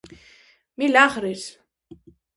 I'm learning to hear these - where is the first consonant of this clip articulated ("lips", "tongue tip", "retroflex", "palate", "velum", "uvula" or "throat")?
lips